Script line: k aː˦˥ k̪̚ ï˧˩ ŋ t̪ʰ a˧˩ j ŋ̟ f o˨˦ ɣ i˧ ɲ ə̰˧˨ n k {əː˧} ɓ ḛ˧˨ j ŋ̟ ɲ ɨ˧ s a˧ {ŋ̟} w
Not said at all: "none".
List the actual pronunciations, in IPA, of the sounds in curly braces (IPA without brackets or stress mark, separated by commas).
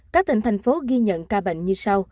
aː˧, none